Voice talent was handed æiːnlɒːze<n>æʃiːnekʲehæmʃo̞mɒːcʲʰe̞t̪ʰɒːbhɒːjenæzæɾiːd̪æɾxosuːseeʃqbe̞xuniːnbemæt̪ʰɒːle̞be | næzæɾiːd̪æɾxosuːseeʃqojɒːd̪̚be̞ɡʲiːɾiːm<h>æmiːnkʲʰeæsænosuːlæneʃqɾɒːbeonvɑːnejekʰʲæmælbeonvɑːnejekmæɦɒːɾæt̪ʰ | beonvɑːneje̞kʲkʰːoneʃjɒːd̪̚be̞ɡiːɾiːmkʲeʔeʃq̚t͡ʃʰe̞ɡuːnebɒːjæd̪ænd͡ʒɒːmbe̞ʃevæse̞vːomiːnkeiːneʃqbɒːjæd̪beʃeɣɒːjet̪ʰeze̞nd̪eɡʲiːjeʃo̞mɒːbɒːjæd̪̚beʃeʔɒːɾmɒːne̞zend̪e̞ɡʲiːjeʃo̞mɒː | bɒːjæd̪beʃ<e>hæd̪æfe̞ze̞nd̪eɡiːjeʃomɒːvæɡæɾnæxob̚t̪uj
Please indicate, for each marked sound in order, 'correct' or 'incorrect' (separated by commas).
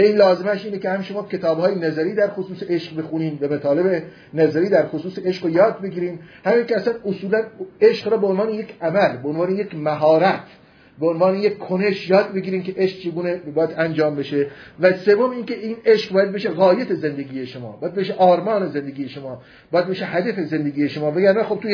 incorrect, correct, correct